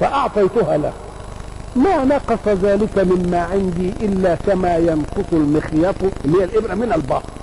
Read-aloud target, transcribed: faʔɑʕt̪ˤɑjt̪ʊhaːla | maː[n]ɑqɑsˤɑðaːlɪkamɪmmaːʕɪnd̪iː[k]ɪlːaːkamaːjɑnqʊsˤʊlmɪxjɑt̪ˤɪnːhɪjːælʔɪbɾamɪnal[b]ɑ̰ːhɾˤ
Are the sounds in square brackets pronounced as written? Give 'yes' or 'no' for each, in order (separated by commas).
yes, no, yes